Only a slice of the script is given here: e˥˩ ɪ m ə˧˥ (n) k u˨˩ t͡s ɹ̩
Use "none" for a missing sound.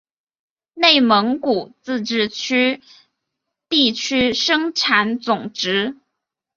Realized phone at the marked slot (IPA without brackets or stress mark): ŋ